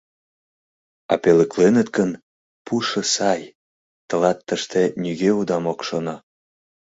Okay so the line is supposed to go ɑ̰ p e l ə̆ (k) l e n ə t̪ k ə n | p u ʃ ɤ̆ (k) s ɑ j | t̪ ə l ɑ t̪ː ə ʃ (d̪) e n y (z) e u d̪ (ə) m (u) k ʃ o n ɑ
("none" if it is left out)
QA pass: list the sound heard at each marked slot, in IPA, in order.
k, none, t̪, ɣ, ɑ, o

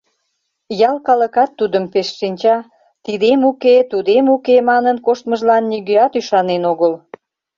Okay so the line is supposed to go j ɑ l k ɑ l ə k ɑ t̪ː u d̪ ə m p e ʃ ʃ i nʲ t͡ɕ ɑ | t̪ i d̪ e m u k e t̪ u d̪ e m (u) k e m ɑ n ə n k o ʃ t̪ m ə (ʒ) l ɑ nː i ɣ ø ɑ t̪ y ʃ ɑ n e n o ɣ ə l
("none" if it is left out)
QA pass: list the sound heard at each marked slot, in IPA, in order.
u, ʒ

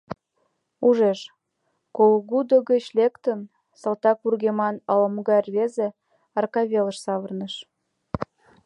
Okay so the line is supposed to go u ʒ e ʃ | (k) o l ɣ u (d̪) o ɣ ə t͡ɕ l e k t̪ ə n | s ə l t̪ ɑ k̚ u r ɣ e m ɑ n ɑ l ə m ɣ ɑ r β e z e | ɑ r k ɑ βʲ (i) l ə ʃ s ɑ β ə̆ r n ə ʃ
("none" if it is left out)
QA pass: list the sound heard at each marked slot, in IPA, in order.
k, d̪, e

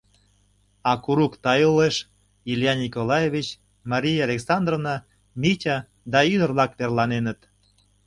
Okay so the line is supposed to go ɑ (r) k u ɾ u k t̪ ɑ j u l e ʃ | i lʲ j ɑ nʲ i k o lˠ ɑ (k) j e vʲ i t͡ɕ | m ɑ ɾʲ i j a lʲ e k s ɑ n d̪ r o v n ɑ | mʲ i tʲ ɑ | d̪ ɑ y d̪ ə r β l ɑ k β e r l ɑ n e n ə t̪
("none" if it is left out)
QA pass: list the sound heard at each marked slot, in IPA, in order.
none, none

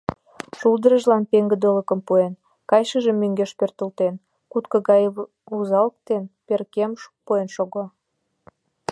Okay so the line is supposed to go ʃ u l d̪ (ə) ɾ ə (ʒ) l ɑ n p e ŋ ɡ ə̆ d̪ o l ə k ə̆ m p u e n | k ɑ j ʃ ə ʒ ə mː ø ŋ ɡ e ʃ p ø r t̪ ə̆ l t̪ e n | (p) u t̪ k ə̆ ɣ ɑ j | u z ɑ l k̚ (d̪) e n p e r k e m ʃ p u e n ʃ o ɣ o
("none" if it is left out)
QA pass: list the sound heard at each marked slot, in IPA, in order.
ə, ʒ, k, t̪

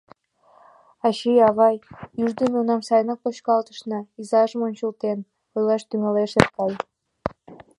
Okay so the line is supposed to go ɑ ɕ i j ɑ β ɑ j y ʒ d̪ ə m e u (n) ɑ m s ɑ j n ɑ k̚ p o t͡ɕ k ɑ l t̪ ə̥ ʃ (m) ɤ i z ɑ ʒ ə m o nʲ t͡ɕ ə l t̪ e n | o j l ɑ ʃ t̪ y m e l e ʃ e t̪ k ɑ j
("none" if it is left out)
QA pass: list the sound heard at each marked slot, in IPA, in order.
n, n

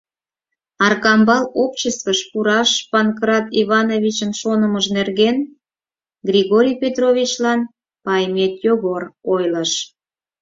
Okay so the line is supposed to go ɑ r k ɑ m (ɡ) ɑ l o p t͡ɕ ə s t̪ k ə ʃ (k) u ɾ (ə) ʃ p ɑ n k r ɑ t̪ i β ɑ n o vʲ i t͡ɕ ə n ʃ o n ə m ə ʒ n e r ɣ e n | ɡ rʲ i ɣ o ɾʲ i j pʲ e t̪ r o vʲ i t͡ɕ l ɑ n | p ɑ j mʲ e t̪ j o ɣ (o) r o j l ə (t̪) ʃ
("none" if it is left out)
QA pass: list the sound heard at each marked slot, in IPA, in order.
b, p, ɑ, o, none

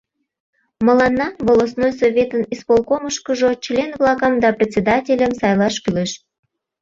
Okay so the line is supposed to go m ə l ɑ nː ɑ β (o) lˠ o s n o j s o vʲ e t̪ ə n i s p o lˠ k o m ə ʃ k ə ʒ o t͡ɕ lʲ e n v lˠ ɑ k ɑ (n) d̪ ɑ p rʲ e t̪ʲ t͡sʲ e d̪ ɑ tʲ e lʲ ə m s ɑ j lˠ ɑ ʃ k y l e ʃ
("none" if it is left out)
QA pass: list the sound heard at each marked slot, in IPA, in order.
o, m

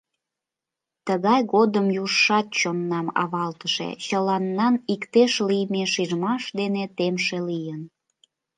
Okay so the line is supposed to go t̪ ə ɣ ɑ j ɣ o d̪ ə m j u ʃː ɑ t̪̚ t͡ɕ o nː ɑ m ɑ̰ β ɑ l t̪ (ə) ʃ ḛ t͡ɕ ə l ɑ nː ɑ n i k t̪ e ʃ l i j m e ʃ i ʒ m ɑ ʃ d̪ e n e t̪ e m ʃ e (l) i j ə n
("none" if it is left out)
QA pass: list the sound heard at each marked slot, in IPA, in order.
ə, l

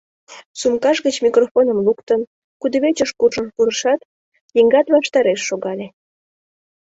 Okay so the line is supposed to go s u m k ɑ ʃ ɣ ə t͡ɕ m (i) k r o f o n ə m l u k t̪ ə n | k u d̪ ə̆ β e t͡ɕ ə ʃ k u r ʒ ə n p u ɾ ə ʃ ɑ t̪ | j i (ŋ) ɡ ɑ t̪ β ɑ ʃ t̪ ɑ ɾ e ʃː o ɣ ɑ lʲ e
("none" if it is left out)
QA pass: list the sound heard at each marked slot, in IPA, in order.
i, ŋ

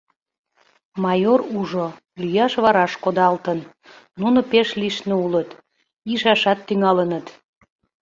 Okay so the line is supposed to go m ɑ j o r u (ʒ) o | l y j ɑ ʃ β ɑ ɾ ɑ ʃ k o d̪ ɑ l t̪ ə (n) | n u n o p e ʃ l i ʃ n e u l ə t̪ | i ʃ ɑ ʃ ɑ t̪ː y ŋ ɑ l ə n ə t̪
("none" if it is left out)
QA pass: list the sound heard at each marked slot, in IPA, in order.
ʒ, n

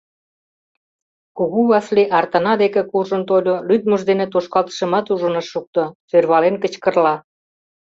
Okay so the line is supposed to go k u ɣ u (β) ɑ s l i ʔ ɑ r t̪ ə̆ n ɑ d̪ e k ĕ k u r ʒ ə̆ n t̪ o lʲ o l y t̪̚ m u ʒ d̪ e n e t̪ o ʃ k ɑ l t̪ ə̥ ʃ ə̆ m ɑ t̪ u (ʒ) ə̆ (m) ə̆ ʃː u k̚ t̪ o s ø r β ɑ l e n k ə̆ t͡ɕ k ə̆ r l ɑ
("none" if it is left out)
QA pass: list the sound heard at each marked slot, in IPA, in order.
β, ʒ, n

